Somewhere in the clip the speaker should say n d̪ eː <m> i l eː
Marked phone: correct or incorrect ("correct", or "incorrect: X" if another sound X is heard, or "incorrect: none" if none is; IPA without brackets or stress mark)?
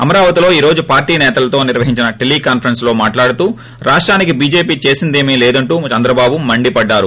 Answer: correct